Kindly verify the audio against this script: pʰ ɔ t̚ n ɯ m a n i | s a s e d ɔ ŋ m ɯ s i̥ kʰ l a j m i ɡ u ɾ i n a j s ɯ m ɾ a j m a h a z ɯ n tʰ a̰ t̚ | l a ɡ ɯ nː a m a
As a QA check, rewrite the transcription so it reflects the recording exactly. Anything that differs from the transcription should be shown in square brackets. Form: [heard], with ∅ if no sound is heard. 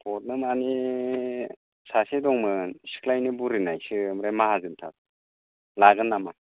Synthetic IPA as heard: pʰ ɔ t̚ n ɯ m a n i | s a s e d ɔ ŋ m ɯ s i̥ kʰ l a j [n] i [b] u ɾ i n a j s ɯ m ɾ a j m a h a z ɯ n tʰ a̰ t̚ | l a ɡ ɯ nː a m a